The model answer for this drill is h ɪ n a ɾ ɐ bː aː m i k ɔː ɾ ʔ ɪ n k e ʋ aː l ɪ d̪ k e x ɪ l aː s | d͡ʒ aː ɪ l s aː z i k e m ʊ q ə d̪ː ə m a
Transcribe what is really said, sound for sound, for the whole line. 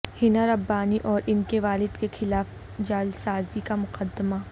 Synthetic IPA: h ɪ n a ɾ ɐ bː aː n i ʔ ɔː ɾ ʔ ɪ n k e ʋ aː l ɪ d̪ k e x ɪ l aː f | d͡ʒ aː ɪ l s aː z i k a m ʊ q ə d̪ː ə m a